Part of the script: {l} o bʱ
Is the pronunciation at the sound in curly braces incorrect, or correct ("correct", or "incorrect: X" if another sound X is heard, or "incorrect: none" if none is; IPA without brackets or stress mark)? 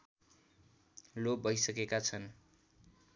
correct